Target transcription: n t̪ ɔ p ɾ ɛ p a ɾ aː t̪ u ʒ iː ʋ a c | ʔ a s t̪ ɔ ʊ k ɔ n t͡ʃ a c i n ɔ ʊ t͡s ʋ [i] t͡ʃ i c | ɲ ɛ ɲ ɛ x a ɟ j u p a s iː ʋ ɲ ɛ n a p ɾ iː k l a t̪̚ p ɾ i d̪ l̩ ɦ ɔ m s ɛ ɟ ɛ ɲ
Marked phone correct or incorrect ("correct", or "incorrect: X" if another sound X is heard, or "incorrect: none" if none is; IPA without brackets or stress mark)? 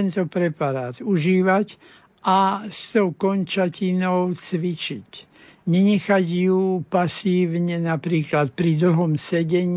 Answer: correct